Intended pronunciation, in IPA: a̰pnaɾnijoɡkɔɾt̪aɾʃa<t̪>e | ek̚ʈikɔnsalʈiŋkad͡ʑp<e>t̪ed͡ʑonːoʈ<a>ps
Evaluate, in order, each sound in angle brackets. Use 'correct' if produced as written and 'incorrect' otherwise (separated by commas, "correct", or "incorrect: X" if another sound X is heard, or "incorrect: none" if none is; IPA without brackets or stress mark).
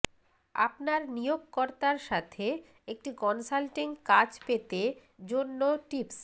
incorrect: t̪ʰ, correct, incorrect: i